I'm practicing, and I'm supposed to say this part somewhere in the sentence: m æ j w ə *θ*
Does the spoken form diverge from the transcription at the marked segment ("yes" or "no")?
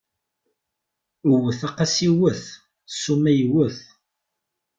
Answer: no